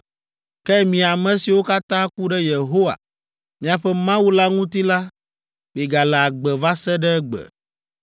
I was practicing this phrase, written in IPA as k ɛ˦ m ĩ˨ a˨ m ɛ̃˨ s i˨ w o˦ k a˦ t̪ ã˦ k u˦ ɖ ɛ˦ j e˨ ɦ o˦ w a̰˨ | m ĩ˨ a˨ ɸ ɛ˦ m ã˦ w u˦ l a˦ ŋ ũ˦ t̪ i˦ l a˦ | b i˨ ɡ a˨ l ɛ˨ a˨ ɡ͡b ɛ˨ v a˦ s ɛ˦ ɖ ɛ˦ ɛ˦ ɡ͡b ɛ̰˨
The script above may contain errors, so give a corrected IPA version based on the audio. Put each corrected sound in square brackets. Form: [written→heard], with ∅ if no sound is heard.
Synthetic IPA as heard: k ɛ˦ m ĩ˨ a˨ m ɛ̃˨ s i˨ w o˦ k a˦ t̪ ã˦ k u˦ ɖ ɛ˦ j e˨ ɦ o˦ w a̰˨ | m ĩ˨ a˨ ɸ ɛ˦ m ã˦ w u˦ l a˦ ŋ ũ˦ t̪ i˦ l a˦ | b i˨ ɡ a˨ l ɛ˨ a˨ ɡ͡b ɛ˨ v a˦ s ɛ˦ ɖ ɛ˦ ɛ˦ ɡ͡b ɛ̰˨

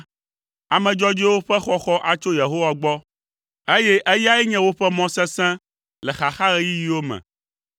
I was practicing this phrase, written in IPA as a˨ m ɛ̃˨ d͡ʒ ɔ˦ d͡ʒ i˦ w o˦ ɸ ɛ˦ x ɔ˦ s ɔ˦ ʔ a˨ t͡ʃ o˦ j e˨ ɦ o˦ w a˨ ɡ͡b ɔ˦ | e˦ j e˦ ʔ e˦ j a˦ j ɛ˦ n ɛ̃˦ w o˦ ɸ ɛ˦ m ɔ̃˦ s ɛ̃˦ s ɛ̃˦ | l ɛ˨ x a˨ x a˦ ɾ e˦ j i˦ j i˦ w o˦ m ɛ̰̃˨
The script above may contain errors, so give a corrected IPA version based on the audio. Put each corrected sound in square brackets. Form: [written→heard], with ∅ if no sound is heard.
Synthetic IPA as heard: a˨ m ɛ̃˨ d͡ʒ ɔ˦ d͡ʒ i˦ w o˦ ɸ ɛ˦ x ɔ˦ [s→x] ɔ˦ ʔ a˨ t͡ʃ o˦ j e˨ ɦ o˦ w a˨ ɡ͡b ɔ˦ | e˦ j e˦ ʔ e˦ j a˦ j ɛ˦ [n→ɲ] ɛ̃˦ w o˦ ɸ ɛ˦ m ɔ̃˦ s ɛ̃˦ s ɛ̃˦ | l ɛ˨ x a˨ x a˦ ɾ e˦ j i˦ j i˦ w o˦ m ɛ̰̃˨

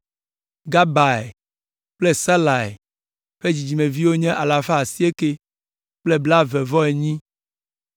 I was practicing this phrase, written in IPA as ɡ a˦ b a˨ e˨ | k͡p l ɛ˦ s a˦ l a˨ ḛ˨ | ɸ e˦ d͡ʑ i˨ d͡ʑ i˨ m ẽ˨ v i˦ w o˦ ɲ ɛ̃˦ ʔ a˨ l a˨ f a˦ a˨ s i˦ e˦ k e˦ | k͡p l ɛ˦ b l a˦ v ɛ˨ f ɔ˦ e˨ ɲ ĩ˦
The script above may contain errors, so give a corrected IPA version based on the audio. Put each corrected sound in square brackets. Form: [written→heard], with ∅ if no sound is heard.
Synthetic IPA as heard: ɡ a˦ b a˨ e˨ | k͡p l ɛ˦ s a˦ l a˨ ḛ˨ | ɸ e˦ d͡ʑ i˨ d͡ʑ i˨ m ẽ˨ v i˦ w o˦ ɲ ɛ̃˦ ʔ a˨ l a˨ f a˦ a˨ s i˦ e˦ k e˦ | k͡p l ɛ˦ b l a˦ v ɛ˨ [f→v] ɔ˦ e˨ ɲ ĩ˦

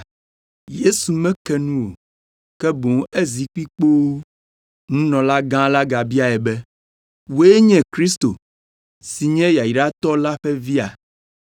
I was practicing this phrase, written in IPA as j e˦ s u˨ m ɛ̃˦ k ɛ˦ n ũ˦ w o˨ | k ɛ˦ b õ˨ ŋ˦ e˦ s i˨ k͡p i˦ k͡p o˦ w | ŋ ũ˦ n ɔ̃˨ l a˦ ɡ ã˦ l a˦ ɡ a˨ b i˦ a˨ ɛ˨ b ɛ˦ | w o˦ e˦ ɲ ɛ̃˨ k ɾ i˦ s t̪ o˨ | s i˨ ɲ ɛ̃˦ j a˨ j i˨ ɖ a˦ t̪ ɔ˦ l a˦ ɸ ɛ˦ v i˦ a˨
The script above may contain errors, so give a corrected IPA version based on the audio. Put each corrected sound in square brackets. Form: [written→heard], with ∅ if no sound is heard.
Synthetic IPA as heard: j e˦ s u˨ m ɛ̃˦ k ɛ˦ n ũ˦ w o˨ | k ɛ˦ b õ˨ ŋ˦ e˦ [s→z] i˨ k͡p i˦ k͡p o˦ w | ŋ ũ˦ n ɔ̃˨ l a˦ ɡ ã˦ l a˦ ɡ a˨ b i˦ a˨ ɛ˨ b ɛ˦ | w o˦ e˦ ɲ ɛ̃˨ k ɾ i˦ s t̪ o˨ | s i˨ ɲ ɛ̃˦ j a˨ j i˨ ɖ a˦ t̪ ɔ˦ l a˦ ɸ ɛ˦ v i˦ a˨

